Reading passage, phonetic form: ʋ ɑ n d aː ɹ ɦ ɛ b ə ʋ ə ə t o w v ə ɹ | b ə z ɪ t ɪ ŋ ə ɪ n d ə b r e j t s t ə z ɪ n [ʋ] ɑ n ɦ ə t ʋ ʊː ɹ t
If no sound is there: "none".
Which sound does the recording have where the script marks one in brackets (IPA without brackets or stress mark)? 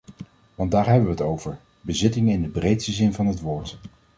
v